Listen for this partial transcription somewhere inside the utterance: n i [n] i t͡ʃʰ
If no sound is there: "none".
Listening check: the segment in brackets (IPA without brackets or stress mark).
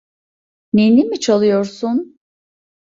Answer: m